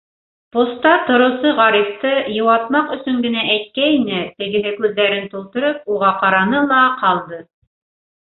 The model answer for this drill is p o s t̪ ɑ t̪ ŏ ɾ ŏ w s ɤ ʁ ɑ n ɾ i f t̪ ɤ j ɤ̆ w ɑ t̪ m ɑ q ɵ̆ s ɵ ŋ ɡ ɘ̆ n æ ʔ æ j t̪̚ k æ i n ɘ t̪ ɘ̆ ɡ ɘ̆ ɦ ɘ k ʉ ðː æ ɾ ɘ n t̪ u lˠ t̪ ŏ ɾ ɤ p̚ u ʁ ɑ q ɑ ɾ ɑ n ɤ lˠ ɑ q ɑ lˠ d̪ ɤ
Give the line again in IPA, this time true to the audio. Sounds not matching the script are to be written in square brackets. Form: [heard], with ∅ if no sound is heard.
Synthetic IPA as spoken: p o s t̪ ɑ t̪ ŏ ɾ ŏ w s ɤ ʁ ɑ [∅] ɾ i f t̪ ɤ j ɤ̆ w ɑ t̪ m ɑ q ɵ̆ s ɵ ŋ ɡ ɘ̆ n æ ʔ æ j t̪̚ k æ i n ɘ t̪ ɘ̆ ɡ ɘ̆ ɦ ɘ k ʉ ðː æ ɾ ɘ n t̪ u lˠ t̪ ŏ ɾ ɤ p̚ u ʁ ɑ q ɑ ɾ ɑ n ɤ lˠ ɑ q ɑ lˠ d̪ ɤ